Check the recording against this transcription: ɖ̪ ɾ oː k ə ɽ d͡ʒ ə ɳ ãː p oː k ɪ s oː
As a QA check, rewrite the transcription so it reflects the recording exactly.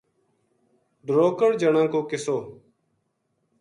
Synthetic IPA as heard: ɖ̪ ɾ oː k ə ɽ d͡ʒ ə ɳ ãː k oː k ɪ s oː